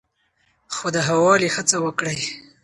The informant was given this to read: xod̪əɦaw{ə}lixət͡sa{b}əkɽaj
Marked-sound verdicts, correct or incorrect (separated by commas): incorrect, incorrect